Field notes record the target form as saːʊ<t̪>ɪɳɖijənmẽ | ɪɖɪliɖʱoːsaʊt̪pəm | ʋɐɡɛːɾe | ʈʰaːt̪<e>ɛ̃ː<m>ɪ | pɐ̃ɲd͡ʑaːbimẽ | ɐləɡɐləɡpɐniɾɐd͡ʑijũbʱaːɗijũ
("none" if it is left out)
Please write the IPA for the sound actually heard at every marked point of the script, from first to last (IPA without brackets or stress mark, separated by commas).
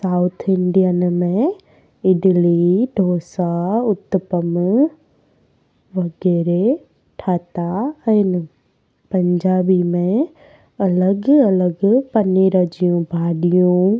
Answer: t̪ʰ, a, n